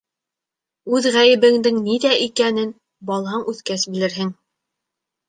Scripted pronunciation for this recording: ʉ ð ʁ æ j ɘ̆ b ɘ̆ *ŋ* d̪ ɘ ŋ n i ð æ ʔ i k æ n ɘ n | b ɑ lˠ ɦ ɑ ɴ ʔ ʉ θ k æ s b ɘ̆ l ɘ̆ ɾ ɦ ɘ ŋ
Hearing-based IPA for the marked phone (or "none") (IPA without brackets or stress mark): ŋ